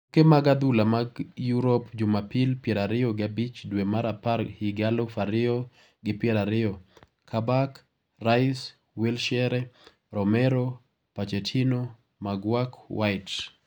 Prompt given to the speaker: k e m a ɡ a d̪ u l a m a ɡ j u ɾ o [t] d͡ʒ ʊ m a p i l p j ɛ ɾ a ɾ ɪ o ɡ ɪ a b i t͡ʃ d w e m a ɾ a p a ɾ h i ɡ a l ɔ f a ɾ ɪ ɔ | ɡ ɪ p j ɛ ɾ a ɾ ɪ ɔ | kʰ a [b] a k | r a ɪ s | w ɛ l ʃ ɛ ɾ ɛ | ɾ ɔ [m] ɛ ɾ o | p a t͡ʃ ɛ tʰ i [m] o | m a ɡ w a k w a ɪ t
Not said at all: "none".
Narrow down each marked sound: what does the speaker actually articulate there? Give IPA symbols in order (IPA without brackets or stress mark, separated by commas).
p, b, m, n